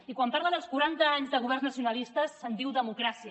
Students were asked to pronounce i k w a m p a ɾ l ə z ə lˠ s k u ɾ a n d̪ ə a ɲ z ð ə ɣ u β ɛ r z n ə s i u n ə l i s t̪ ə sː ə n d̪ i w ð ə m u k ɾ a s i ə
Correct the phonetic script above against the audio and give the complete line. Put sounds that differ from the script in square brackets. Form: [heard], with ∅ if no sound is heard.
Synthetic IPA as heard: i k w a m p a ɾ l ə [ð] ə lˠ s k u ɾ a n [t̪] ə a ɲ z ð ə ɣ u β ɛ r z n ə s i u n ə l i s t̪ ə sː ə n d̪ i w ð ə m u k ɾ a s i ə